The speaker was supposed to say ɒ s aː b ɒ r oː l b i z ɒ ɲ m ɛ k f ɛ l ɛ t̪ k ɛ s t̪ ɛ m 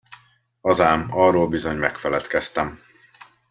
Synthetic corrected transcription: ɒ z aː m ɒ r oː l b i z o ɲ m ɛ k f ɛ l ɛ t̪ k ɛ s t̪ ɛ m